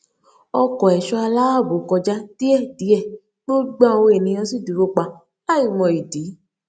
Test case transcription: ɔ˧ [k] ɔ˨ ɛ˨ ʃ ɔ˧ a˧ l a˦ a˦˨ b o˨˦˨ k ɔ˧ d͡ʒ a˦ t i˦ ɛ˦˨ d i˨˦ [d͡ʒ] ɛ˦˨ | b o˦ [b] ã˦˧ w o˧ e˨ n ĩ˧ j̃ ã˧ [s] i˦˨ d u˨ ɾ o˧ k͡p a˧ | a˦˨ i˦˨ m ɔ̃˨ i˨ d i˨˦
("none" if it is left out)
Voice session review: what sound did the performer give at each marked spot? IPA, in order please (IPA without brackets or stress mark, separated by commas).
k, none, ɡ͡b, s